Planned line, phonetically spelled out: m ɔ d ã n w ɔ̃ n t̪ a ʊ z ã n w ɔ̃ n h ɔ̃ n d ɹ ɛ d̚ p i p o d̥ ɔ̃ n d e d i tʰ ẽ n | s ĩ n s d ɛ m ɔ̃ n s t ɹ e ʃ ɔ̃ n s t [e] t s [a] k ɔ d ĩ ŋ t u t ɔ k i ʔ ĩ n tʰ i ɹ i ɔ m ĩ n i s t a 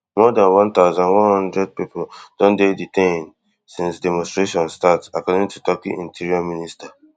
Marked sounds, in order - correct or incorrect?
incorrect: a, correct

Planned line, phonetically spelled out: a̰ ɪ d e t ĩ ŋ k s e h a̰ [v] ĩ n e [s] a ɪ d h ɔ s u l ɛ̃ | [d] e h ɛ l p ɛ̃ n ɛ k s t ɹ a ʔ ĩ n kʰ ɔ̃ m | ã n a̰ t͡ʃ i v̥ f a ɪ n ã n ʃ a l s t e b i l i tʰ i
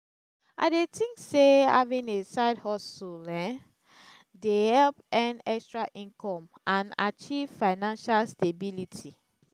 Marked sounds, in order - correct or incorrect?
correct, correct, correct

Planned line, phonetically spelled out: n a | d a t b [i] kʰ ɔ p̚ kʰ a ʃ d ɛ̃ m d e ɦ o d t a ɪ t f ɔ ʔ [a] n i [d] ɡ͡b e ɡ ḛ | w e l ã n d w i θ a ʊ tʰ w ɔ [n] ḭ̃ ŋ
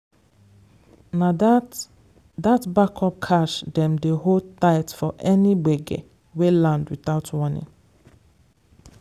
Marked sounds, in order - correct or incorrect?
incorrect: a, incorrect: ɛ, incorrect: none, correct

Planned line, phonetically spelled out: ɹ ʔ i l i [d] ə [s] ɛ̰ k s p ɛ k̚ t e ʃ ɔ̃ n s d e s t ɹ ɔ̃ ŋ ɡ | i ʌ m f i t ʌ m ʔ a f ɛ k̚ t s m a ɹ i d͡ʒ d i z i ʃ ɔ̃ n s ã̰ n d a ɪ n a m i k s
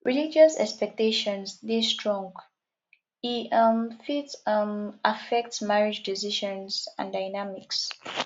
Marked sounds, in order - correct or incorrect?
incorrect: d͡ʒ, correct

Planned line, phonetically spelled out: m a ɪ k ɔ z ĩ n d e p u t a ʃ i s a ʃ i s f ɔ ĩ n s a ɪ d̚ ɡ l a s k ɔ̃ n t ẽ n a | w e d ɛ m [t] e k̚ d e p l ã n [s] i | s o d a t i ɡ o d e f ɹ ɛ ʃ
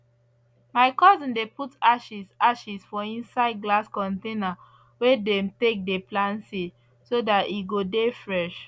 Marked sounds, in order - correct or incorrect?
correct, correct

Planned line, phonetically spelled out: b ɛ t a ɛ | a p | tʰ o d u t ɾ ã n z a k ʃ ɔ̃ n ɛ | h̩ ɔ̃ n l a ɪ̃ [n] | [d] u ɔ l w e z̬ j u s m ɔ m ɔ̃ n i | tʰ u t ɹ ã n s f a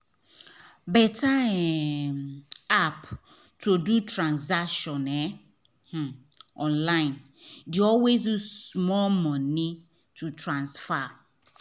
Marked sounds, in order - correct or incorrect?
correct, correct

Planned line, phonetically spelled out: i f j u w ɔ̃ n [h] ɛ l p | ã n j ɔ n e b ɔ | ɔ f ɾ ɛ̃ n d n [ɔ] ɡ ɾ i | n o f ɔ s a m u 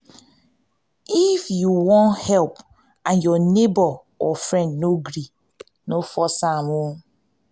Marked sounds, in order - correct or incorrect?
correct, incorrect: o

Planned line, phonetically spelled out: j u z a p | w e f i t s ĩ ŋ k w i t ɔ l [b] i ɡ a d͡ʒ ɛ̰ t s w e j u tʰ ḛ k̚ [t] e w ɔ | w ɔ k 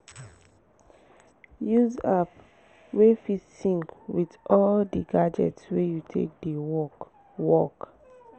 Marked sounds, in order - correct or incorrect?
incorrect: d, incorrect: d

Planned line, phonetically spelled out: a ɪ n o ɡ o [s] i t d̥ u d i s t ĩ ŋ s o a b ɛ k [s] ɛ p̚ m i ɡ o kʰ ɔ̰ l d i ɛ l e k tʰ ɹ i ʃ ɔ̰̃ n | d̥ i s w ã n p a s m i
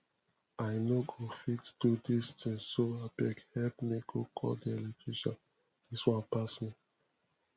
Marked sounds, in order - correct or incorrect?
incorrect: f, incorrect: h

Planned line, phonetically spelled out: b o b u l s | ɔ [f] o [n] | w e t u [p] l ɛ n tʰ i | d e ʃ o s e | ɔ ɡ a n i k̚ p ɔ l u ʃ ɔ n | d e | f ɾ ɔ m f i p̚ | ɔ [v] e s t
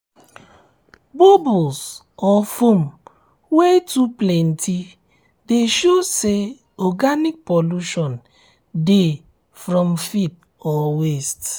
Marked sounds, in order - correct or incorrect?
correct, incorrect: m, correct, incorrect: w

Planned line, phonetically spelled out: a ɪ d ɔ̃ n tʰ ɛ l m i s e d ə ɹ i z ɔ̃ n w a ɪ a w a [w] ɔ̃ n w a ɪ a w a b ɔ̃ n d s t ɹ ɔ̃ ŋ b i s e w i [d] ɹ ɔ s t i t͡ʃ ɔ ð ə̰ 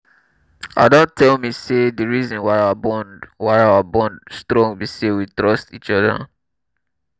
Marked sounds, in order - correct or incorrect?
incorrect: b, incorrect: t

